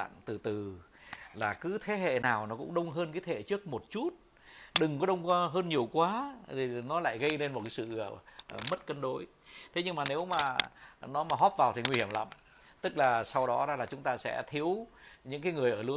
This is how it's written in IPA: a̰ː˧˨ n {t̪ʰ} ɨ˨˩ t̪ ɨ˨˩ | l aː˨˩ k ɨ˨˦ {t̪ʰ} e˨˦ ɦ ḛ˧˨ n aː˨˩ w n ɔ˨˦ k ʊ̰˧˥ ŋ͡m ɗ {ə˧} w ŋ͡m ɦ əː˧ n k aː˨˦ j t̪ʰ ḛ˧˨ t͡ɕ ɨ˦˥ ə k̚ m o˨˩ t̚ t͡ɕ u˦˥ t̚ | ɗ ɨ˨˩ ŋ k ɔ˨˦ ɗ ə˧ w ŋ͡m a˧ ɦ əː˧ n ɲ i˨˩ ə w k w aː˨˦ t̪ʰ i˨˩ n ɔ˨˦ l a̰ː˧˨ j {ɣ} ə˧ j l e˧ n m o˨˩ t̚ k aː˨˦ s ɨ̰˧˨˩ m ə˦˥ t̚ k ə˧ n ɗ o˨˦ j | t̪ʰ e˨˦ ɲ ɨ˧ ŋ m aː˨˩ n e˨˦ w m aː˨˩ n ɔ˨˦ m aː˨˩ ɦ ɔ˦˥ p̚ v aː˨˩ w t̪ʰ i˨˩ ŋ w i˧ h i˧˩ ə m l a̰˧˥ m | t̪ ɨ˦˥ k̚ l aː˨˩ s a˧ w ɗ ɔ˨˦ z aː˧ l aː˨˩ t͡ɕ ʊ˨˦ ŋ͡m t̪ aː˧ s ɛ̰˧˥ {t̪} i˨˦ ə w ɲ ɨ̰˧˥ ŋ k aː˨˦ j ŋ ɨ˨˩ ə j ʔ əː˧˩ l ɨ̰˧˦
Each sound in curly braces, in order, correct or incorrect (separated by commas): incorrect, correct, correct, correct, incorrect